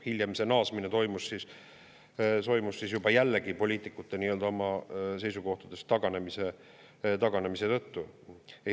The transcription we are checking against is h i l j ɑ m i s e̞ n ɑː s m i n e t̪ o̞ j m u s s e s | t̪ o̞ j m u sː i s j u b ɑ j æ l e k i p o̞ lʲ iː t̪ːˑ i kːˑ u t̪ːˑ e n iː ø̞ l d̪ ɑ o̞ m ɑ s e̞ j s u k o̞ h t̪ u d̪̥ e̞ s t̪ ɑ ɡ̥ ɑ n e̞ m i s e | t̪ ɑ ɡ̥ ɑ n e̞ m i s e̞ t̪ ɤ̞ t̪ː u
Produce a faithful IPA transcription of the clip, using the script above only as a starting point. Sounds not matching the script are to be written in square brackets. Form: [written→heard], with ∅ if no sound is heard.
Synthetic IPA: h i l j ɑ m i s e̞ n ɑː s m i n e t̪ o̞ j m u s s [e→i] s | t̪ o̞ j m u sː i s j u b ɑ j æ [l→lː] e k i p o̞ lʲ iː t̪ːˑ i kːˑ u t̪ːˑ e n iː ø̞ l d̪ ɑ o̞ m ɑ s e̞ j s u k o̞ h t̪ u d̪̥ e̞ s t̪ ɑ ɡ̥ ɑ n e̞ m i s e | t̪ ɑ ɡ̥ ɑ n e̞ m i s e̞ t̪ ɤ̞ t̪ː u